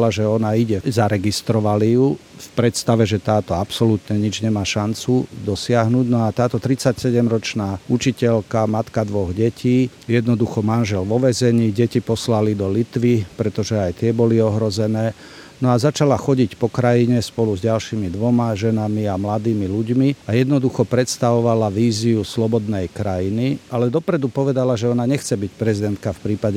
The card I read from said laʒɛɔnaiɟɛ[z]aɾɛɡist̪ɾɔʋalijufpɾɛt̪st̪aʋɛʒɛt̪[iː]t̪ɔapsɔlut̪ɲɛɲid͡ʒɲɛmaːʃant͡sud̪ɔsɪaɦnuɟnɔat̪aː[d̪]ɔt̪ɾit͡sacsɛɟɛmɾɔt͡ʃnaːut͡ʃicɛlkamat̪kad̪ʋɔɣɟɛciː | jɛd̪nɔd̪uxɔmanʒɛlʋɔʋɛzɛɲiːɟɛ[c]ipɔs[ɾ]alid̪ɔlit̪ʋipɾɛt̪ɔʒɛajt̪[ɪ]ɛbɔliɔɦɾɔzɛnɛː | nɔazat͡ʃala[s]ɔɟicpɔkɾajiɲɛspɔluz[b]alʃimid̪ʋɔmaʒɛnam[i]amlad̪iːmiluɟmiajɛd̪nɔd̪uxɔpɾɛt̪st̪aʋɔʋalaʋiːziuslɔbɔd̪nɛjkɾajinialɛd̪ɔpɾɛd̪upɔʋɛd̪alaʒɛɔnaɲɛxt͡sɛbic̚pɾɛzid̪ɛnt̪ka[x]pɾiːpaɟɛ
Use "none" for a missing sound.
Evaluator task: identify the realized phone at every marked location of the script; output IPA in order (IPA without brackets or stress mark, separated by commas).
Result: z, aː, t̪, c, l, ɪ, x, ɟ, i, f